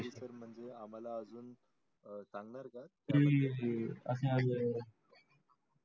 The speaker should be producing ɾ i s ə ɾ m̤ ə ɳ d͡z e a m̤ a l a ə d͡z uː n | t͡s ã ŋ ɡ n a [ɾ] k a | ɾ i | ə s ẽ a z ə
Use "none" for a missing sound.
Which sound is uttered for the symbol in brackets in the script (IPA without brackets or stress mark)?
ɾ